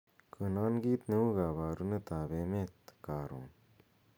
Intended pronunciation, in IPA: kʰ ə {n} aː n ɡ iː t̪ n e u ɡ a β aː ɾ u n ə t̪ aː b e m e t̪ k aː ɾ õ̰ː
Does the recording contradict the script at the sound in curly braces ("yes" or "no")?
no